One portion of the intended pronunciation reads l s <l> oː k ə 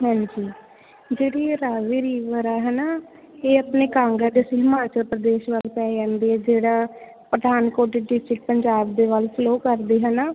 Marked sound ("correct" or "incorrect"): correct